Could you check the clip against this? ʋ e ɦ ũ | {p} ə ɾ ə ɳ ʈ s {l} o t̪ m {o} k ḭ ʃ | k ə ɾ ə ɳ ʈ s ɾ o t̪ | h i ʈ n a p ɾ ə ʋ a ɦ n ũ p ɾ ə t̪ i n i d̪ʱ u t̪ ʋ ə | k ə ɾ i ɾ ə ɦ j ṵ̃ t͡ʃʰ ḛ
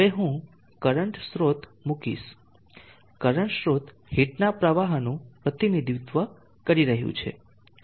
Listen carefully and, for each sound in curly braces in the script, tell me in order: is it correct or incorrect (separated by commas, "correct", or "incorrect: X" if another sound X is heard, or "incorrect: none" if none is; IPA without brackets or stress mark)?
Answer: incorrect: k, incorrect: ɾ, incorrect: u